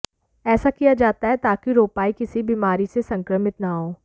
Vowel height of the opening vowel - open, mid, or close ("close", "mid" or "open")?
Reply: mid